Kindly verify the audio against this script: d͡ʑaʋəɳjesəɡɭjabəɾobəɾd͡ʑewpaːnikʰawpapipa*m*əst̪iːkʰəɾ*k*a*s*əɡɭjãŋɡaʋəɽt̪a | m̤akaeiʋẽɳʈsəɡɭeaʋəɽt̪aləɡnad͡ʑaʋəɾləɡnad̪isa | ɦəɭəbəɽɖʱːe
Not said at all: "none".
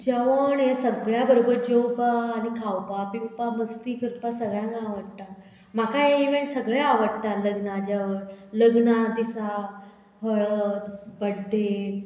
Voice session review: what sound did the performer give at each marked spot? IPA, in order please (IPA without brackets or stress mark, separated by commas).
m, p, s